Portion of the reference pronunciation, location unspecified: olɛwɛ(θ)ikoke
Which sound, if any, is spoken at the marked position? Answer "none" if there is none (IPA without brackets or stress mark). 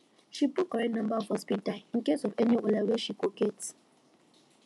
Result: ʃ